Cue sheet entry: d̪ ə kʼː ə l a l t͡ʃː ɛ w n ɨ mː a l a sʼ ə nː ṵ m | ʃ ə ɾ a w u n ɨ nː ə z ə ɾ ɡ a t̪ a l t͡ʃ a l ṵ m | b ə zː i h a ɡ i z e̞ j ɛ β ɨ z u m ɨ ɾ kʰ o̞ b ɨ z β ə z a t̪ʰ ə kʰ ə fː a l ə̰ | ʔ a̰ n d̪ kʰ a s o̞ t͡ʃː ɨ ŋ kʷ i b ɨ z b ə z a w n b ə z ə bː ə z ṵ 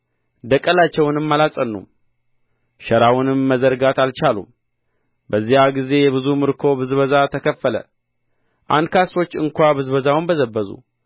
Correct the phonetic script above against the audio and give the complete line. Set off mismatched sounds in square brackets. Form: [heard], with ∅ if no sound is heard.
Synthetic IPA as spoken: d̪ ə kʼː ə l a [∅] t͡ʃː ɛ w n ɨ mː a l a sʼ ə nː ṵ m | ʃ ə ɾ a w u n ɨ [mː] ə z ə ɾ ɡ a t̪ a l t͡ʃ a l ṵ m | b ə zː i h a ɡ i z e̞ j ɛ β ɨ z u m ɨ ɾ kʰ o̞ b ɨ z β ə z a t̪ʰ ə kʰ ə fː [ə] l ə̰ | ʔ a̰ n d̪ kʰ a s o̞ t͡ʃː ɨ ŋ kʷ [a] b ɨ z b ə z a w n b ə z ə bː ə z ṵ